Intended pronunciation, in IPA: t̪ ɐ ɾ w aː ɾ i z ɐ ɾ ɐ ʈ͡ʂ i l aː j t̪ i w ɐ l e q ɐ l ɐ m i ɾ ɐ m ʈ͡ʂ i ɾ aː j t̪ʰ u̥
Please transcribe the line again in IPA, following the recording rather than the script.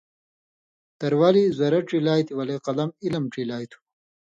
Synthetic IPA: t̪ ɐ ɾ w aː l i z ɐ ɾ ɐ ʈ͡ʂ i l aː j t̪ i w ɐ l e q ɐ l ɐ m i l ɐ m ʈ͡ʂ i l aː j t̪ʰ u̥